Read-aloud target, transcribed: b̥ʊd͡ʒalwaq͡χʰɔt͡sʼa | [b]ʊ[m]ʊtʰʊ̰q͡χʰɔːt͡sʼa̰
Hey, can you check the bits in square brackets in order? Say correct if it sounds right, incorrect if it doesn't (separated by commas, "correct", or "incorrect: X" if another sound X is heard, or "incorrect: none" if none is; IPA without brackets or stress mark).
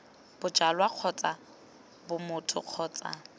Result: correct, correct